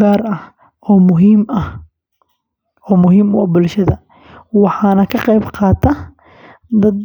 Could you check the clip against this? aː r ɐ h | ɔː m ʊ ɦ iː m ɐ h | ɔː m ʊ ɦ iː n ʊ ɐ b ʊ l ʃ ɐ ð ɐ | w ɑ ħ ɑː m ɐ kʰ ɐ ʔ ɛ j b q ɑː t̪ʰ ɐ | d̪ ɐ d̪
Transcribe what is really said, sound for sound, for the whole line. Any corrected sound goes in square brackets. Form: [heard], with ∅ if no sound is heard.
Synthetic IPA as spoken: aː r ɐ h | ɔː m ʊ ɦ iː m ɐ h | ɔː m ʊ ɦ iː [m] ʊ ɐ b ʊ l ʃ ɐ ð ɐ | w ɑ ħ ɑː [n] ɐ kʰ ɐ [q] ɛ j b q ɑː t̪ʰ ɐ | d̪ ɐ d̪